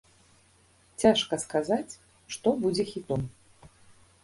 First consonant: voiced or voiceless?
voiceless